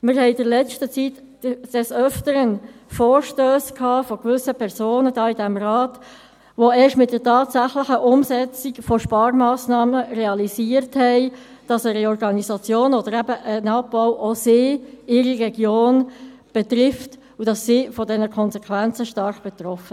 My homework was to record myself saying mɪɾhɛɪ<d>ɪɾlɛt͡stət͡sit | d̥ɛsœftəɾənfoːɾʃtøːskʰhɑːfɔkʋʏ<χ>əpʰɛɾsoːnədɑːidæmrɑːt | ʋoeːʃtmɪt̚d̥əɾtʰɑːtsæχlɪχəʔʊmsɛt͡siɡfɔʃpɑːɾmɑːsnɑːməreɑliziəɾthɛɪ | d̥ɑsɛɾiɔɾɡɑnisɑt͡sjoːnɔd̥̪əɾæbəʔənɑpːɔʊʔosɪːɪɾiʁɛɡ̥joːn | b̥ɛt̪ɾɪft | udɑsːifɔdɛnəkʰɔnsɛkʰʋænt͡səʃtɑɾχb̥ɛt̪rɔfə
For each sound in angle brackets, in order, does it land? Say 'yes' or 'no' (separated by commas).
yes, no